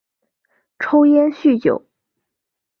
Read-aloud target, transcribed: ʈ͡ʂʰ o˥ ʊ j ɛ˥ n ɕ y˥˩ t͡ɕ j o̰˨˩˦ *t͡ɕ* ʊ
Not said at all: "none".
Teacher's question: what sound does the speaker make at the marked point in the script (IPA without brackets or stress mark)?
none